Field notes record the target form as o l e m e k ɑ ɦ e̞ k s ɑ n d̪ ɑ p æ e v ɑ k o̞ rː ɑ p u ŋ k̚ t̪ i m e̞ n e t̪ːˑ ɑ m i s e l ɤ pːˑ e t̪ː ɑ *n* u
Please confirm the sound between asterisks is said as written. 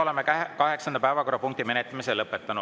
yes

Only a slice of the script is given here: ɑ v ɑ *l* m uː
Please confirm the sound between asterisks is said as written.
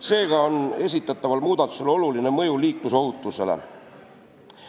yes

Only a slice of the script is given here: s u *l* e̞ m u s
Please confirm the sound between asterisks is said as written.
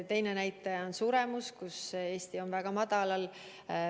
no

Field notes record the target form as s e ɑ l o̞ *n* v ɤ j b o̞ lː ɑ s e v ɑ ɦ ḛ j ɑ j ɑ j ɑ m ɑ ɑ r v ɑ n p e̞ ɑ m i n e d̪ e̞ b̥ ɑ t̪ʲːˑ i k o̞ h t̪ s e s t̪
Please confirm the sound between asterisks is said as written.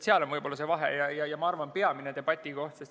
yes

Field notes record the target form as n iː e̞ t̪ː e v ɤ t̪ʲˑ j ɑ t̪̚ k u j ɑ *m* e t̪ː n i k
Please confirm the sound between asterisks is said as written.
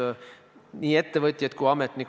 yes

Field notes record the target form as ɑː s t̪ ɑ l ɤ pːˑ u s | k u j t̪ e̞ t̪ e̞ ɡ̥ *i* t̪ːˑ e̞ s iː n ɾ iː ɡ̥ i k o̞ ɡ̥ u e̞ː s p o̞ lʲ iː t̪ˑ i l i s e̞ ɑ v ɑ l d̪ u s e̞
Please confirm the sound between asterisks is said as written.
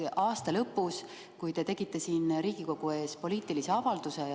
yes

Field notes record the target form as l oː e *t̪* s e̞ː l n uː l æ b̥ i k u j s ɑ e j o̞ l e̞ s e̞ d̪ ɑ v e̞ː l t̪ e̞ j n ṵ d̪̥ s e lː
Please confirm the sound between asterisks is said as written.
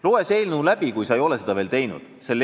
no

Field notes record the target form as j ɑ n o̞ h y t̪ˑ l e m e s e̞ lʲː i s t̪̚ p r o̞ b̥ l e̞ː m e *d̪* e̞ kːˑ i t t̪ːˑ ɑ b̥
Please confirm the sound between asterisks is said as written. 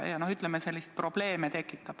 no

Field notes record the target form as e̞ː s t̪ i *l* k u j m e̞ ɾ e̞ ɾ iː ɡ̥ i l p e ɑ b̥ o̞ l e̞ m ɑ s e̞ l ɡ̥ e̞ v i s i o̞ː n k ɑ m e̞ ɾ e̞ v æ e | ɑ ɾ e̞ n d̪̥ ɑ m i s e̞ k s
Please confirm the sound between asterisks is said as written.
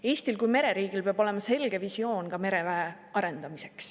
yes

